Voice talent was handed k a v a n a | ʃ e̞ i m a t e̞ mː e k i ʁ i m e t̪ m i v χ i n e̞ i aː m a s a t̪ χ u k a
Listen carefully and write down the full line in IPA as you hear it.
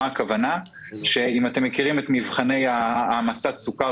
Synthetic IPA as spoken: k a v a n a | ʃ e̞ i m a t e̞ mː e k i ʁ i m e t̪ m i v χ a n e̞ j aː m a s a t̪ s u k a